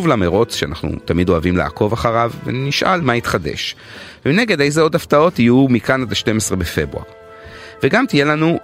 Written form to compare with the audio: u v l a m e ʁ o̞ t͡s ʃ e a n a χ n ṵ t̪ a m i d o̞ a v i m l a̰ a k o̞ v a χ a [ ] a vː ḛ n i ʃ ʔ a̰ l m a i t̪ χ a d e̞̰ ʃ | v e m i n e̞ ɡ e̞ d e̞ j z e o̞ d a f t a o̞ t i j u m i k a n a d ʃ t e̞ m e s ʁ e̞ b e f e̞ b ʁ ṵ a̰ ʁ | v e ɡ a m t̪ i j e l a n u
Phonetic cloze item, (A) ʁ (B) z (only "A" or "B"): A